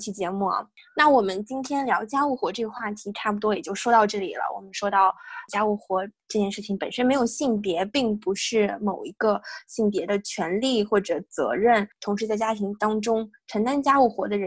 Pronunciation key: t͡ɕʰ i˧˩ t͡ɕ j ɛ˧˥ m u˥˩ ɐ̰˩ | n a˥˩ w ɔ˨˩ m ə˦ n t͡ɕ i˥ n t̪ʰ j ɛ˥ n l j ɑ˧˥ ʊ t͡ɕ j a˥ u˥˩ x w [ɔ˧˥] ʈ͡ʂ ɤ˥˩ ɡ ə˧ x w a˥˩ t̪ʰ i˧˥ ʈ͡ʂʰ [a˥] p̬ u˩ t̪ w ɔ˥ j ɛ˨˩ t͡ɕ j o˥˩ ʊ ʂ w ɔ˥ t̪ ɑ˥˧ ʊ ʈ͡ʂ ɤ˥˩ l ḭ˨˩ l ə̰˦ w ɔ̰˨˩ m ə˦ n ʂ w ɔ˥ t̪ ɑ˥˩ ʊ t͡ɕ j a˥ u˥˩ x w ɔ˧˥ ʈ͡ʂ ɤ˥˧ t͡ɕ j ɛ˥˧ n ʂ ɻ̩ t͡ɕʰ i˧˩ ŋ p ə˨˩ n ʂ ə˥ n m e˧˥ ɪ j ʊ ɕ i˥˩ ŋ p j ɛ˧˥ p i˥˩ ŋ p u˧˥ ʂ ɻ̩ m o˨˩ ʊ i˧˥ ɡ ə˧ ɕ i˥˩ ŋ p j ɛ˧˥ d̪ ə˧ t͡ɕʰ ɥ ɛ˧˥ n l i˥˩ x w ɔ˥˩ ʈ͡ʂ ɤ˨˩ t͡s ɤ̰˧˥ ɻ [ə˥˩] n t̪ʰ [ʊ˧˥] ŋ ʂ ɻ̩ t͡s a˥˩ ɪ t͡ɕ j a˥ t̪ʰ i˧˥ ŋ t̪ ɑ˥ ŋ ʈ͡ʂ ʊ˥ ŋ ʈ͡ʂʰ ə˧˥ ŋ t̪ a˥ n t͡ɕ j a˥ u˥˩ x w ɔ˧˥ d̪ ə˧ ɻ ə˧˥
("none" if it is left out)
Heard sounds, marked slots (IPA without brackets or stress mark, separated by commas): ɔ˧˥, a˥˩, ə˥˩, ʊ˧˥